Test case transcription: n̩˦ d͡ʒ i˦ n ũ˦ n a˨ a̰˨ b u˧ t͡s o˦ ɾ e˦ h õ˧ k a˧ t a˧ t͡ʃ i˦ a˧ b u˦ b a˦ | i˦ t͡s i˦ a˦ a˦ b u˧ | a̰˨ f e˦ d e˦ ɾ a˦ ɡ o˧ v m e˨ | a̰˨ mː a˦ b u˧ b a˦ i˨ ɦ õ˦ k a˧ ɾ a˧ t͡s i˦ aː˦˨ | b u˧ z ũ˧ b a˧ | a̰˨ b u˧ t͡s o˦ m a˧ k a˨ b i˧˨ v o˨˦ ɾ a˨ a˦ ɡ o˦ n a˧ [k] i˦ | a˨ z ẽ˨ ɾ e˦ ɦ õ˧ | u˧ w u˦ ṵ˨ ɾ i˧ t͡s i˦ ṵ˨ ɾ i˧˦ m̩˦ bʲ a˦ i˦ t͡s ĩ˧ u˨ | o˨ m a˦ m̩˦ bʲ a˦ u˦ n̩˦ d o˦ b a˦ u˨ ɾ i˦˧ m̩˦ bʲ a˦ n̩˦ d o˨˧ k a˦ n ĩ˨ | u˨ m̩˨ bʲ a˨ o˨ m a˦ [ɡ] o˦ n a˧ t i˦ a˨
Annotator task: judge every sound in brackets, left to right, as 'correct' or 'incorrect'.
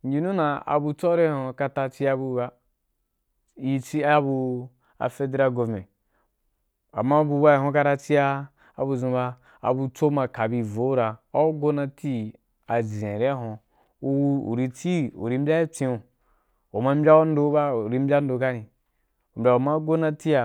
incorrect, correct

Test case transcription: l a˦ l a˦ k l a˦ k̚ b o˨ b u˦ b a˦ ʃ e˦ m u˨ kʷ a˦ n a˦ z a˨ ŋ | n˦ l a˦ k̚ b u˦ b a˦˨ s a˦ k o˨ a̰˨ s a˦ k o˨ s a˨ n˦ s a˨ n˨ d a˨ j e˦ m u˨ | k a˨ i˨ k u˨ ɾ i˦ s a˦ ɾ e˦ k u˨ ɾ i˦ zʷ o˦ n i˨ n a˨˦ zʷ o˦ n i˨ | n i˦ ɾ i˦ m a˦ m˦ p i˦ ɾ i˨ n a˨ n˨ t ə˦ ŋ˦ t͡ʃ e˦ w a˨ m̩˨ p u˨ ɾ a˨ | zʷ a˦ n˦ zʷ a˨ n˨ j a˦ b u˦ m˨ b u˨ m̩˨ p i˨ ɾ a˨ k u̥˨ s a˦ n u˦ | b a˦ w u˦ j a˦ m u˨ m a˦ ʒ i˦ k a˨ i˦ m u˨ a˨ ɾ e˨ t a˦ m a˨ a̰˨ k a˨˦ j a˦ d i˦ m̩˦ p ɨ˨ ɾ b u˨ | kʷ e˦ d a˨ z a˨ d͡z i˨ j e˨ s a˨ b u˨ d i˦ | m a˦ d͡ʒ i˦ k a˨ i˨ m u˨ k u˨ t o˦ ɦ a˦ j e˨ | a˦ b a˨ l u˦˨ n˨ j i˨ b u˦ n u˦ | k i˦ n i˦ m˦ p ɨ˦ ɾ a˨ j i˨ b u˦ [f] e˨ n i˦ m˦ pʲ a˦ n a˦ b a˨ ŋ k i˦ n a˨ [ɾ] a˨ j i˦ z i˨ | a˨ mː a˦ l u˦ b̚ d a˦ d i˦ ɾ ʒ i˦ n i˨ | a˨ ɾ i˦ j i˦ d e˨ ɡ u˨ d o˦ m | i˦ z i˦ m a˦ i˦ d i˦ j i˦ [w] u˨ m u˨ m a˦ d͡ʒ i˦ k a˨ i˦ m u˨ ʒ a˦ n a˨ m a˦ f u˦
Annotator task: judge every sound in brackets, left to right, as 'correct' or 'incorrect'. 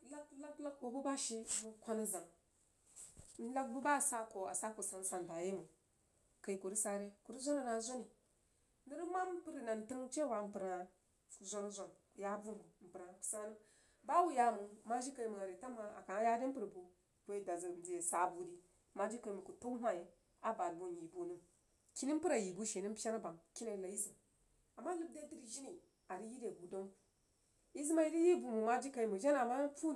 incorrect, incorrect, incorrect

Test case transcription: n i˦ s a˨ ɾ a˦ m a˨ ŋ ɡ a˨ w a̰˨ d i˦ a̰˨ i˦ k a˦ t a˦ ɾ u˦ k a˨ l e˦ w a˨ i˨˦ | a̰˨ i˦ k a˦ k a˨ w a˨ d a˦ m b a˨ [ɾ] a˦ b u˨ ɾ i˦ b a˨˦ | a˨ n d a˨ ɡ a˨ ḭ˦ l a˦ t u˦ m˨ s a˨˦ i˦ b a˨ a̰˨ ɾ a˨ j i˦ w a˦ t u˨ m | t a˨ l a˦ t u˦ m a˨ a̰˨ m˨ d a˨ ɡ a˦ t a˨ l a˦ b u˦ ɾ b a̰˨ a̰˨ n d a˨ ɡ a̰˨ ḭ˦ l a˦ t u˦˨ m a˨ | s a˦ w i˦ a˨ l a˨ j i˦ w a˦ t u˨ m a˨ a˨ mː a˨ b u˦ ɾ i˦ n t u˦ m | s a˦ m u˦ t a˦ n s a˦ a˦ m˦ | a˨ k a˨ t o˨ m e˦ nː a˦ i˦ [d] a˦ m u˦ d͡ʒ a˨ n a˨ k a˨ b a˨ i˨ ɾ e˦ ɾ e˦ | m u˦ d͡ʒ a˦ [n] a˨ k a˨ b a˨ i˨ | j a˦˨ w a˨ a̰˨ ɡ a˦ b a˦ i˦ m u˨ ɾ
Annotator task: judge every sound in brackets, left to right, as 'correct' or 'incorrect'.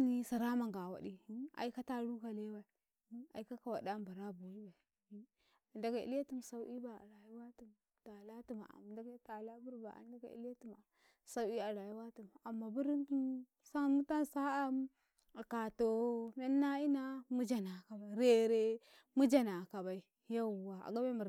correct, incorrect, correct

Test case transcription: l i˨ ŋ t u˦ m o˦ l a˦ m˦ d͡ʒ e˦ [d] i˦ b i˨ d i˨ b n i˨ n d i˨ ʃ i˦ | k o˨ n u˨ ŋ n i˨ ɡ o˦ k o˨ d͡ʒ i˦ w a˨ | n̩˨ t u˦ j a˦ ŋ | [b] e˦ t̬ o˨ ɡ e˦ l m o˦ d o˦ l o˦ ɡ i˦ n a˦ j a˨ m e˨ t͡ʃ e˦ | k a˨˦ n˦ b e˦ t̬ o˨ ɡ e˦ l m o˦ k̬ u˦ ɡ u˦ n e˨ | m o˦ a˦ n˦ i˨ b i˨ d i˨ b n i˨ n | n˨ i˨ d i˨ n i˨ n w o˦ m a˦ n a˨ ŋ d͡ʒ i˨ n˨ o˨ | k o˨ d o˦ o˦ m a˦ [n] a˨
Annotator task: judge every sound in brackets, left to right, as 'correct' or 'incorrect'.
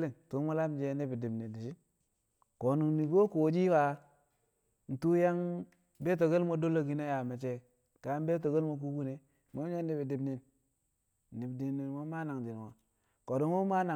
incorrect, correct, correct

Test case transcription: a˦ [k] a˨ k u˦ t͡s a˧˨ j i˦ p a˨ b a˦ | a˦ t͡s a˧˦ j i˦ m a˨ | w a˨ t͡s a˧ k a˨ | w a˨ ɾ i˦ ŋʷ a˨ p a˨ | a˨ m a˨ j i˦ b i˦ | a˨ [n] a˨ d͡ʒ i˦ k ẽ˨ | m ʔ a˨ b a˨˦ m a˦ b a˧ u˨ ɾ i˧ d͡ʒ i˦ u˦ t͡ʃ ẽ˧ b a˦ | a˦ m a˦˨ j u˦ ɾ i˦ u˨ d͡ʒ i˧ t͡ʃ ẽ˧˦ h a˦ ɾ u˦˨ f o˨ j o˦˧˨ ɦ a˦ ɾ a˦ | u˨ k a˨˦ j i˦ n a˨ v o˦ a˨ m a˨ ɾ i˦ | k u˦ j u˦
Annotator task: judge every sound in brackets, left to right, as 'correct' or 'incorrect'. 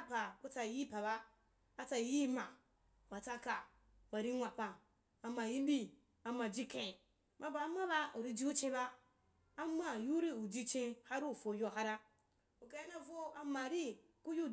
incorrect, incorrect

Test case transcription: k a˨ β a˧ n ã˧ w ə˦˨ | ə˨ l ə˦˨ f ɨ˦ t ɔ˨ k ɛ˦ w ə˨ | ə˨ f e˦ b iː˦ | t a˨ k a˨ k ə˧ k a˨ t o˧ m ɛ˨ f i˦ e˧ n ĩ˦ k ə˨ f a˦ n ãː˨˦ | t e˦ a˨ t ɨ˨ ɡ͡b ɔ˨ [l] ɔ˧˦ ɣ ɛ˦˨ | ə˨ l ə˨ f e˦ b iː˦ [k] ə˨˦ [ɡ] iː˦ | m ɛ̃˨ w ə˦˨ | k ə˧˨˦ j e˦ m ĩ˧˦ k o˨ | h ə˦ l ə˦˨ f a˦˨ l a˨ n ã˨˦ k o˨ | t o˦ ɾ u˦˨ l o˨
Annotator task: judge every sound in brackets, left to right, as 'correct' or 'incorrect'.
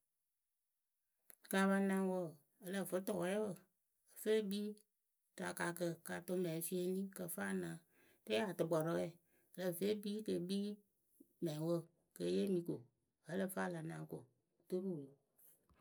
incorrect, correct, incorrect

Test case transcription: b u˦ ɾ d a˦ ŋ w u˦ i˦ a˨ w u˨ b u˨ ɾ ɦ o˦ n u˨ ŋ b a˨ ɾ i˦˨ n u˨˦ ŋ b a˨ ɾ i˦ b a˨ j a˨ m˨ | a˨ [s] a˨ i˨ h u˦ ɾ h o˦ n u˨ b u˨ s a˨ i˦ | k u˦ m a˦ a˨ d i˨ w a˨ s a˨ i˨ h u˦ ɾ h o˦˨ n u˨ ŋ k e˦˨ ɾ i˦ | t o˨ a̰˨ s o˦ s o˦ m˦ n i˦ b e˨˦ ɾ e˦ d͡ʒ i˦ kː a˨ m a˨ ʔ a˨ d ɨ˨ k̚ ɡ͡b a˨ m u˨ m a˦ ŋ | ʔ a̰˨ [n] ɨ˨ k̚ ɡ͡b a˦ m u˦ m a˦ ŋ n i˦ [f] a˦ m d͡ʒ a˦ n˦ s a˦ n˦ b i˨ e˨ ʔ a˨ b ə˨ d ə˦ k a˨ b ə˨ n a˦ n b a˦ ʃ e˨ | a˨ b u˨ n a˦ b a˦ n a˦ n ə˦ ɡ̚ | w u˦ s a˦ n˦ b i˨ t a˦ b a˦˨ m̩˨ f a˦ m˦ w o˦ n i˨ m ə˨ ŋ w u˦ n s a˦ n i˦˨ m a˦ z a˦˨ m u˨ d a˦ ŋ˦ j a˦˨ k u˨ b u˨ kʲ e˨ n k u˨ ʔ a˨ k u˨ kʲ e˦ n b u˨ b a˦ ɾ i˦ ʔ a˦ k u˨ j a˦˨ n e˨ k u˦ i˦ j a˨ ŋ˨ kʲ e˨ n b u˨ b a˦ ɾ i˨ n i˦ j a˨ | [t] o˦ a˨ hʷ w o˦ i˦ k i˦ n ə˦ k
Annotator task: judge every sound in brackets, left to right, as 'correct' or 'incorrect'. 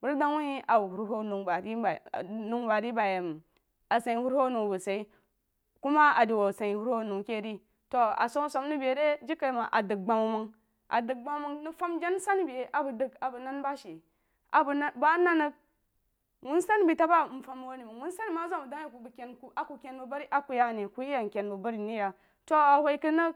correct, incorrect, correct, correct

